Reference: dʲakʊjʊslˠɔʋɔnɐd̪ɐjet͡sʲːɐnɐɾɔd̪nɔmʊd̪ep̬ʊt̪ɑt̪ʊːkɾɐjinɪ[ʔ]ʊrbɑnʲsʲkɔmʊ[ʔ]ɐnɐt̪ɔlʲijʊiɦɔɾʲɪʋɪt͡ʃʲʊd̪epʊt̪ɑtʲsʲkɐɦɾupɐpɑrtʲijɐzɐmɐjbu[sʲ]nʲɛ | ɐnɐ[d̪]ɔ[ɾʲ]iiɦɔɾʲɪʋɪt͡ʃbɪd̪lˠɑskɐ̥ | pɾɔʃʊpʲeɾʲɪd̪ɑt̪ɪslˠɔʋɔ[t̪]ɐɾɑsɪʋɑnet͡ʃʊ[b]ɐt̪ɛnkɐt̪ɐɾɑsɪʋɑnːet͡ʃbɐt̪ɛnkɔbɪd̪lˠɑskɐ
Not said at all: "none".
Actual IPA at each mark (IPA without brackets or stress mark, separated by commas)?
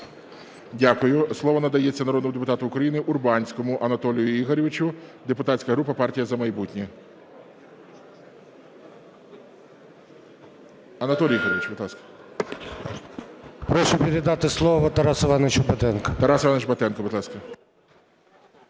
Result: ʔ, ʔ, tʲ, t̪, lʲ, t̪, b